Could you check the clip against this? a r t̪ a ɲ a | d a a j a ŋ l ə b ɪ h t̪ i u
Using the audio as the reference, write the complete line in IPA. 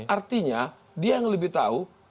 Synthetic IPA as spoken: a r t̪ i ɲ a | d i a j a ŋ l ə b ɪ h t̪ a u